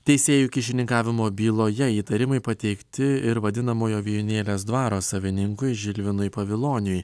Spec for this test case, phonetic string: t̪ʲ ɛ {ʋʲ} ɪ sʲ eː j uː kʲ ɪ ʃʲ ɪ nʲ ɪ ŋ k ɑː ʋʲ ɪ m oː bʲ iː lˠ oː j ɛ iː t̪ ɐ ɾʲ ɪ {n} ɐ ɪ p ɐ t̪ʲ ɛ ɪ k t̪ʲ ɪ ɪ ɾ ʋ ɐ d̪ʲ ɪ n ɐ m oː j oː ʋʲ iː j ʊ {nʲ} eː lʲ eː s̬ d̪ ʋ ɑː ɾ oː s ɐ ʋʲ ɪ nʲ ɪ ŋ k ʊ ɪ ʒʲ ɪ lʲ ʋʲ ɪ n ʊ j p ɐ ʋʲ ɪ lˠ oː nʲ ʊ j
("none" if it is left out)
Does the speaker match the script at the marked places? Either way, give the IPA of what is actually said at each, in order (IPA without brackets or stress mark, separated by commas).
none, m, nʲ